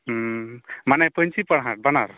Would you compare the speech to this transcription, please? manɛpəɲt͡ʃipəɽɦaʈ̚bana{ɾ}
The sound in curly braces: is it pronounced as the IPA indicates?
yes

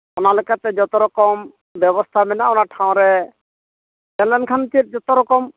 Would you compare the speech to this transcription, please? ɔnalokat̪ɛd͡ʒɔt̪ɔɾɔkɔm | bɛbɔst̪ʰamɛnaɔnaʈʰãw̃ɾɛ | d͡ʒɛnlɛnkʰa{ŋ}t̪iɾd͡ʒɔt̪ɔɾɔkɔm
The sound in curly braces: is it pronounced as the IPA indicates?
no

